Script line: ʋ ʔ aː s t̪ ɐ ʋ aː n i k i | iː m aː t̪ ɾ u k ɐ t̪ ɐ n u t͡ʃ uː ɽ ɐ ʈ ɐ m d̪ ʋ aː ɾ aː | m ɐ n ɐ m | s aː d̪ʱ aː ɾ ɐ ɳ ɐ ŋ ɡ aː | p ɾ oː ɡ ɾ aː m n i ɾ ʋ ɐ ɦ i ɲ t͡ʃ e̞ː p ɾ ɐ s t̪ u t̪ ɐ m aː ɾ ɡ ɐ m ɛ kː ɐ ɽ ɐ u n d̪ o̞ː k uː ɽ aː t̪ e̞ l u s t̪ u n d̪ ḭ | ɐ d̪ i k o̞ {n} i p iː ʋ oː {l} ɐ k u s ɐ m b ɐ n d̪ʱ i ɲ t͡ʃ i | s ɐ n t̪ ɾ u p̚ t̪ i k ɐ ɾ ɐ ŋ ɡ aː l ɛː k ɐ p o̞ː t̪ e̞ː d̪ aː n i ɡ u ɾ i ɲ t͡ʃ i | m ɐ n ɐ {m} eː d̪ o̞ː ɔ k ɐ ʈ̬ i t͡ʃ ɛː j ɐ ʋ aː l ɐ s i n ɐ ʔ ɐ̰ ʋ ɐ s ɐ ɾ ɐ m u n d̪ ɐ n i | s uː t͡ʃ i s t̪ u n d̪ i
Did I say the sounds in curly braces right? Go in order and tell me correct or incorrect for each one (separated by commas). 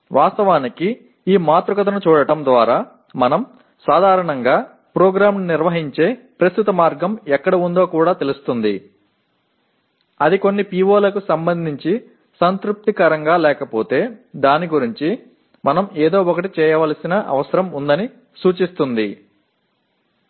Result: incorrect, correct, correct